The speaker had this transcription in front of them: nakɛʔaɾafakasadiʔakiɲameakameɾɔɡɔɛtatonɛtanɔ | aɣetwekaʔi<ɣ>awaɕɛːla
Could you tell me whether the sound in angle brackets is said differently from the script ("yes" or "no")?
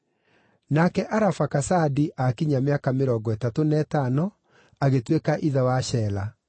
yes